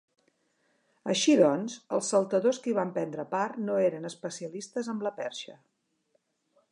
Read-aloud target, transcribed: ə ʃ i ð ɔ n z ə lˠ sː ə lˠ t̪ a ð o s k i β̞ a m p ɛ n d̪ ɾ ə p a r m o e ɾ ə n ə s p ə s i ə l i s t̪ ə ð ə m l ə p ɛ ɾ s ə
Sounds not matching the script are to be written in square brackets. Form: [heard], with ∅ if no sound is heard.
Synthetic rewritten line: ə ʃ i ð ɔ n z ə lˠ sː ə lˠ t̪ [ə] ð o s k i β̞ a m p ɛ n d̪ ɾ ə p a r [n] o e ɾ ə n ə s p ə s i ə l i s t̪ ə [z] ə m l ə p ɛ ɾ [ʃ] ə